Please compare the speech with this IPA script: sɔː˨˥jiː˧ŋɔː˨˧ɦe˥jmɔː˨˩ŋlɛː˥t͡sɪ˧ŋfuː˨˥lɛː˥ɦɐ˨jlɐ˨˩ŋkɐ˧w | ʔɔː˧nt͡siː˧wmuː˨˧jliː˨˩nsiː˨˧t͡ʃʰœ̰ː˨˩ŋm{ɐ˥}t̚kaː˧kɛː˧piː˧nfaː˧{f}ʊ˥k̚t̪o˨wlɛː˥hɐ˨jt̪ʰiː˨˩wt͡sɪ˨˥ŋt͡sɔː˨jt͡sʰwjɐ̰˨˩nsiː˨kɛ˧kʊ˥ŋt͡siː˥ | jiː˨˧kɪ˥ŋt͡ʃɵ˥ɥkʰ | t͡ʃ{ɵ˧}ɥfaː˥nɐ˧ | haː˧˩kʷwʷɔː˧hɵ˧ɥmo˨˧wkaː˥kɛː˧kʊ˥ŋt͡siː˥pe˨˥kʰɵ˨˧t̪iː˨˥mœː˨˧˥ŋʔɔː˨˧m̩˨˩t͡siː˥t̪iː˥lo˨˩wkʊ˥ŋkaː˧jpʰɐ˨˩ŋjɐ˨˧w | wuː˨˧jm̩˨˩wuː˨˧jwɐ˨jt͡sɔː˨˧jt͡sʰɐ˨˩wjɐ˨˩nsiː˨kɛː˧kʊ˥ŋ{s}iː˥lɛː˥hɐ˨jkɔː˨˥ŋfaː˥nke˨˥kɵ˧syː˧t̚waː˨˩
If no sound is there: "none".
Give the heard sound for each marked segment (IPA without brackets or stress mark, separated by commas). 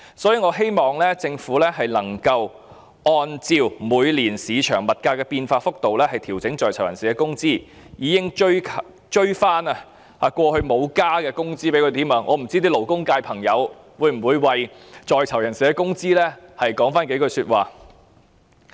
ɐ˨, f, ɵ˥, t͡s